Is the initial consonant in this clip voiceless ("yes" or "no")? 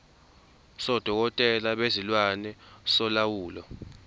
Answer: yes